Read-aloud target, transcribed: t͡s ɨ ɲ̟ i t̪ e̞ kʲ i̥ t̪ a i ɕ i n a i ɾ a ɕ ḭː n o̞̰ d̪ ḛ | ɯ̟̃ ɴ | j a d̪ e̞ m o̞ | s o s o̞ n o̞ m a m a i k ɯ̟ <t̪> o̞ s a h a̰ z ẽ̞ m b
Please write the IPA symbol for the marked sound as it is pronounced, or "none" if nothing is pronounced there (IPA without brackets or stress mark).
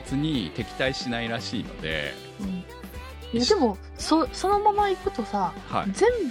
t̪